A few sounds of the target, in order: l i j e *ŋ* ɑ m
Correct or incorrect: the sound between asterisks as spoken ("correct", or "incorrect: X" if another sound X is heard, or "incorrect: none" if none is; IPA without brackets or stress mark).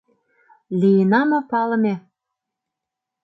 incorrect: n